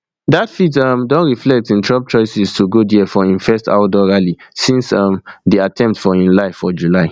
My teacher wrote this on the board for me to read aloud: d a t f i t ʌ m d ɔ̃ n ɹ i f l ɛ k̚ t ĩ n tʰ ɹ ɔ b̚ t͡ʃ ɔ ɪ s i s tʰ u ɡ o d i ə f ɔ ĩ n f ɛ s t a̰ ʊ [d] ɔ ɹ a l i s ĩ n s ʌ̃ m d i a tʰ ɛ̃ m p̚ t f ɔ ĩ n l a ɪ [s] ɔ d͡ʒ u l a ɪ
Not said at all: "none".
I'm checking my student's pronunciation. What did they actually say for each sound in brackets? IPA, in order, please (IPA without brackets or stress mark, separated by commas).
d, f